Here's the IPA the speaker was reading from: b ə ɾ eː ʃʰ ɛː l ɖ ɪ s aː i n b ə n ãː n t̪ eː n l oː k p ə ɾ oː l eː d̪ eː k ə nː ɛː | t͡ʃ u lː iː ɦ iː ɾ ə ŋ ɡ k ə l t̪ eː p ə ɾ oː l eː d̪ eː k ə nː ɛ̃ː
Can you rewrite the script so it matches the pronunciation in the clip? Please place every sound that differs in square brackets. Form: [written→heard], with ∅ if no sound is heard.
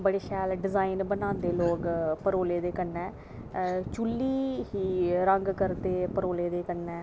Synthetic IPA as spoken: b ə [ɾ→ɽ] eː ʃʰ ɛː l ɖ ɪ [s→z] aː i n b ə n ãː n [t̪→d̪] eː [n→∅] l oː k p ə ɾ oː l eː d̪ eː k ə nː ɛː | t͡ʃ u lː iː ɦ iː ɾ ə ŋ ɡ k ə [l→ɾ] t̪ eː p ə ɾ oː l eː d̪ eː k ə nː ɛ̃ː